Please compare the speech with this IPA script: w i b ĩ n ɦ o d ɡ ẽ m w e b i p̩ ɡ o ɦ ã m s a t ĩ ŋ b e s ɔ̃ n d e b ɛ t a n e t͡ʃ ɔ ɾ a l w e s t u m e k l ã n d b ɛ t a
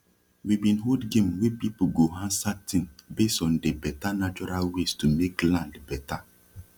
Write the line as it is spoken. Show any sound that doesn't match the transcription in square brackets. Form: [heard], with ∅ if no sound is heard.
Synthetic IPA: w i b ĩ n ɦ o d ɡ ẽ m w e [p] i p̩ ɡ o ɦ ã [n] s a t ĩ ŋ b e s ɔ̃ n d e b ɛ t a n [a] t͡ʃ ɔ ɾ a l w e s t u m e k l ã n d b ɛ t a